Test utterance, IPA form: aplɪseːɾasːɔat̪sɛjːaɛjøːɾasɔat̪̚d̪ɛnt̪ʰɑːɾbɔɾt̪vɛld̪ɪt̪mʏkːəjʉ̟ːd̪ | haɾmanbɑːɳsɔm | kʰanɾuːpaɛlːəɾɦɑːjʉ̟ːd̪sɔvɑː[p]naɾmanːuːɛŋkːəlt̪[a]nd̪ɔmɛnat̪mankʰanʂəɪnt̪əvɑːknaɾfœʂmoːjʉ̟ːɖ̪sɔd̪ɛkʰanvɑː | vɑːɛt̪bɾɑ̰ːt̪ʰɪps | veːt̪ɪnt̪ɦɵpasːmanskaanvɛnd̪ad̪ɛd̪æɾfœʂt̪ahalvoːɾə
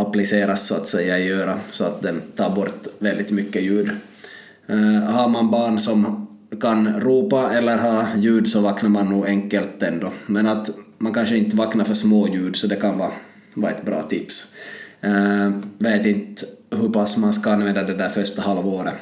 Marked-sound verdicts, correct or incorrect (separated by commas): incorrect, incorrect